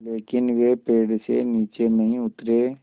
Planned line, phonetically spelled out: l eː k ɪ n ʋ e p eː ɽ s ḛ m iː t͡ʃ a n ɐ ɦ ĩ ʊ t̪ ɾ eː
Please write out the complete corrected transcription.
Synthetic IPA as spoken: l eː k ɪ n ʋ e p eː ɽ s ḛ n iː t͡ʃ e n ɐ ɦ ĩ ʊ t̪ ɾ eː